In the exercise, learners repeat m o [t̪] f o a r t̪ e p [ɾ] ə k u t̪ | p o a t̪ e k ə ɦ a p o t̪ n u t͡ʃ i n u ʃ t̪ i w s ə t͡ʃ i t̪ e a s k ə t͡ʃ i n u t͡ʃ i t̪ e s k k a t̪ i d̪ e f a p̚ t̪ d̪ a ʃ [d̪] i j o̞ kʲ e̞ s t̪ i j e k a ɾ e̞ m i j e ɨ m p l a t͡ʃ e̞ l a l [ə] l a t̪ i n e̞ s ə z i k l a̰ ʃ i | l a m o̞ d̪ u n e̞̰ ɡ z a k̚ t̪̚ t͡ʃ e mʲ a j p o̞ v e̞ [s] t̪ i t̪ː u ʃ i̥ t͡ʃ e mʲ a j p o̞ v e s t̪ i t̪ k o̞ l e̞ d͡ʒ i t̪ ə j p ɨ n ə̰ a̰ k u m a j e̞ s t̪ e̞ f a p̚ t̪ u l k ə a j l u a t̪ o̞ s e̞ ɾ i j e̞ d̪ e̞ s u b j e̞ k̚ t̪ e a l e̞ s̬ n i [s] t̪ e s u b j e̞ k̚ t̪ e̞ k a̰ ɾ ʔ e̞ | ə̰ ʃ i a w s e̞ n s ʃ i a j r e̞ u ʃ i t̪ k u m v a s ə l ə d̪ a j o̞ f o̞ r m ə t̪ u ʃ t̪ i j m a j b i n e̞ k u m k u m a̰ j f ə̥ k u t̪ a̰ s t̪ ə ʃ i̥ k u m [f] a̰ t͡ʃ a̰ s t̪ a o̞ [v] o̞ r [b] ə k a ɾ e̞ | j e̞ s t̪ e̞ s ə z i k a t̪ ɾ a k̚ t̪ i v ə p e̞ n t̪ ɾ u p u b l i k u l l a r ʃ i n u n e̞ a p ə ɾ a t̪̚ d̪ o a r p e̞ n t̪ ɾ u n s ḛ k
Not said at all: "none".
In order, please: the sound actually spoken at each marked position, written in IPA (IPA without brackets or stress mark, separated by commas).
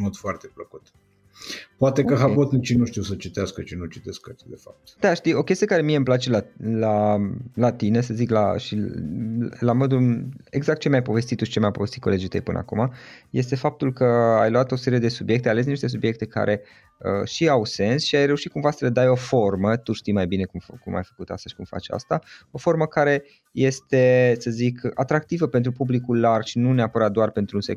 d̪, l, t̪, a, s, ʃ, f, f, m